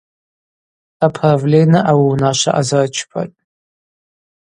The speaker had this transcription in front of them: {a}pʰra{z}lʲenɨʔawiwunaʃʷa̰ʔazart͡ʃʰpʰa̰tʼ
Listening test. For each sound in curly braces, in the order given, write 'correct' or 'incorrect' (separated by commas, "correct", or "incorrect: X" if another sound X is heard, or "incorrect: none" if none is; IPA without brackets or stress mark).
correct, incorrect: v